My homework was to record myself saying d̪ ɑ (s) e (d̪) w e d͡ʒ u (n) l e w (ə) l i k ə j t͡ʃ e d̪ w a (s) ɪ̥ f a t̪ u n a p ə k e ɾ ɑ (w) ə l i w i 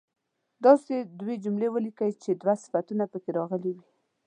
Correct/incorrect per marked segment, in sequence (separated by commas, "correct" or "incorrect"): correct, correct, incorrect, correct, correct, incorrect